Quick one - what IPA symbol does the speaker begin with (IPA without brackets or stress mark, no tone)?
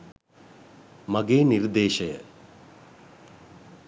m